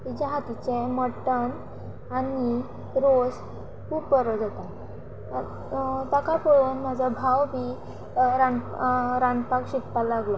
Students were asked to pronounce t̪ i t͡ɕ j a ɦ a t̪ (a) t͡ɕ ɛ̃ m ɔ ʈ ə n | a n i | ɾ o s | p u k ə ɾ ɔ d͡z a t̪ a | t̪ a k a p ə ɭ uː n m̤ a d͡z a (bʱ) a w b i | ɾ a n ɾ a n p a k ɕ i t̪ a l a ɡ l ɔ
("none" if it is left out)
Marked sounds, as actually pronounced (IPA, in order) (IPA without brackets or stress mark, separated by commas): i, bʱ